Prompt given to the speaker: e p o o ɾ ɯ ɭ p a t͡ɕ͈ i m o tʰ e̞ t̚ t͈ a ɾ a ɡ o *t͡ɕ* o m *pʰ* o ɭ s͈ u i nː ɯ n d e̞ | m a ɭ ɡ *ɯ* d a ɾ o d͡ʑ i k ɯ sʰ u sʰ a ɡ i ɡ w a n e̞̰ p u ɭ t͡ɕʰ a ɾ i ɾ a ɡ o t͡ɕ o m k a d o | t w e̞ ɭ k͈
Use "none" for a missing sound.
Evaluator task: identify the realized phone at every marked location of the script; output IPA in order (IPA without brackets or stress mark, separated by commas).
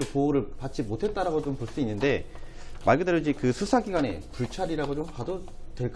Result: t͡ɕ, p, ɯ